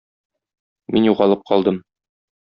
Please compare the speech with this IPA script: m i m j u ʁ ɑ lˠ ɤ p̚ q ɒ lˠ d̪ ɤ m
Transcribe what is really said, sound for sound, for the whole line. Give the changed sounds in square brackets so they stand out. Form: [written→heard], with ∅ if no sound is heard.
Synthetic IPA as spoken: m i [m→n] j u ʁ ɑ lˠ ɤ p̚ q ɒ lˠ d̪ ɤ m